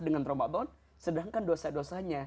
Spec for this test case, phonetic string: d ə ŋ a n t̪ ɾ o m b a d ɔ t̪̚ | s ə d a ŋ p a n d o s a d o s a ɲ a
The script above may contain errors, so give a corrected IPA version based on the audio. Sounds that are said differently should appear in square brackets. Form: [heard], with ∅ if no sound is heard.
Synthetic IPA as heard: d ə ŋ a n t̪ ɾ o m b a [b] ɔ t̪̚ | s ə d a ŋ [k] a n d o s a d o s a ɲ a